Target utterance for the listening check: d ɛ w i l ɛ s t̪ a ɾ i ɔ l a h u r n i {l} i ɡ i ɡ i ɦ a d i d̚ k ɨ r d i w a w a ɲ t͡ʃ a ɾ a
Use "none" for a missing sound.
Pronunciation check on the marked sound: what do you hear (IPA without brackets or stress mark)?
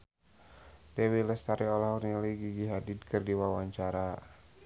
l